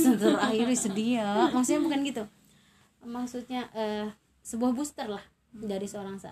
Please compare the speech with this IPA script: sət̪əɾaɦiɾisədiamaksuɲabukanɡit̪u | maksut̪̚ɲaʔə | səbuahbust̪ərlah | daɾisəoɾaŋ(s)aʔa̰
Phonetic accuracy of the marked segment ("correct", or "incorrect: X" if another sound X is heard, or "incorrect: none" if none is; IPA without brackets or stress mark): correct